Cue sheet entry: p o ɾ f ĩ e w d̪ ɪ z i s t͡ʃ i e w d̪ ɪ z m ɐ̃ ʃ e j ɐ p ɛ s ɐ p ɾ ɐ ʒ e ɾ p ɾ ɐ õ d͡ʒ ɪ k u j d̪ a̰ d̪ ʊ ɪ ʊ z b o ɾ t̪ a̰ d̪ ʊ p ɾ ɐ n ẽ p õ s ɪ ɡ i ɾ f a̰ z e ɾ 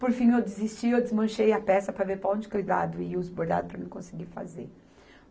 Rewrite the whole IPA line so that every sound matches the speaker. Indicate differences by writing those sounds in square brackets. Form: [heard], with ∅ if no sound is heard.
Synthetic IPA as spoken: p o ɾ f ĩ e w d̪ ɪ z i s t͡ʃ i e w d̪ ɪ z m ɐ̃ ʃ e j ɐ p ɛ s ɐ p ɾ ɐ [v] e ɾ p ɾ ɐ õ d͡ʒ ɪ k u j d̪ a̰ d̪ ʊ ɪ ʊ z b o ɾ [d̪] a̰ d̪ ʊ p ɾ ɐ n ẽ [k] õ s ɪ ɡ i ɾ f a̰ z e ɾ